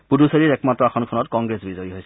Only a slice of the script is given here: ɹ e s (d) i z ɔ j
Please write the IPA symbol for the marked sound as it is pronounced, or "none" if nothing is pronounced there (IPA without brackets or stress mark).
b